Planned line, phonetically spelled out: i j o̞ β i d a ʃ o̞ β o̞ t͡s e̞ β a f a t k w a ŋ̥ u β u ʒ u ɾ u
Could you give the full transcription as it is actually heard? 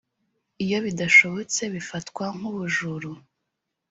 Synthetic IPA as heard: i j o̞ β i d a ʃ o̞ β o̞ t͡s e̞ β i f a t k w a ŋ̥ u β u ʒ u ɾ u